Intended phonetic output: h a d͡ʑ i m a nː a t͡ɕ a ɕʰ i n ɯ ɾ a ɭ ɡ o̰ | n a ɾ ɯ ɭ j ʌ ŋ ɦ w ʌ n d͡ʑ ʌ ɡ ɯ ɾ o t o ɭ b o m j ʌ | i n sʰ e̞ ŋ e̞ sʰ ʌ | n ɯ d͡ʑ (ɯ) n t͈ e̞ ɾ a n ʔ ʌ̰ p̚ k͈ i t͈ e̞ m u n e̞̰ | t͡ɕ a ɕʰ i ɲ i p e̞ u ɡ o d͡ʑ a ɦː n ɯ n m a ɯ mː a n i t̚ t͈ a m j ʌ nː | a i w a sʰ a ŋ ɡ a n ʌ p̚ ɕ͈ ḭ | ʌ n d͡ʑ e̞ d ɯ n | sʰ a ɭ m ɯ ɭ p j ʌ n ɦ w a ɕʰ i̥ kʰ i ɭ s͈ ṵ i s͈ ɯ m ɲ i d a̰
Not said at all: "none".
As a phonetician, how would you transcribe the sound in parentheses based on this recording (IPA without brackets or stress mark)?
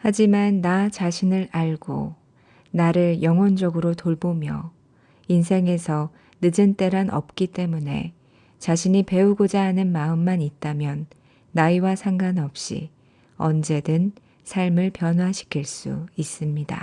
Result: ɯ